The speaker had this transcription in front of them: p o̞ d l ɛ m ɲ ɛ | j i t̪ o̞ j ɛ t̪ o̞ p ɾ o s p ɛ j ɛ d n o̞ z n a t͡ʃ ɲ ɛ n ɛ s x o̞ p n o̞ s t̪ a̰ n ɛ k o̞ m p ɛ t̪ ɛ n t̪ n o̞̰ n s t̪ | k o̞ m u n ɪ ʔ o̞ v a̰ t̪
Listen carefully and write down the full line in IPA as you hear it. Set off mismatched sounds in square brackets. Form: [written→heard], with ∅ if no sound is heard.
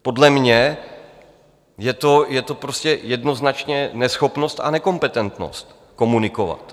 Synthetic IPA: p o̞ d l ɛ m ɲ ɛ | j [i→ɛ] t̪ o̞ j ɛ t̪ o̞ p ɾ o s [p→c] ɛ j ɛ d n o̞ z n a t͡ʃ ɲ ɛ n ɛ s x o̞ p n o̞ s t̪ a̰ n ɛ k o̞ m p ɛ t̪ ɛ n t̪ n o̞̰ [n→∅] s t̪ | k o̞ m u n ɪ [ʔ→k] o̞ v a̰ t̪